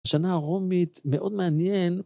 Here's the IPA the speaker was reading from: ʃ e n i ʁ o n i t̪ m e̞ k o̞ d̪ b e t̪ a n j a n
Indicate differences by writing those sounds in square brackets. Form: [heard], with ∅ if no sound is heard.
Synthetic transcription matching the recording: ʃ [a] n [a] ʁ o [m] i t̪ m e̞ [ʔ] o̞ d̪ [m] e [∅] a n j [e] n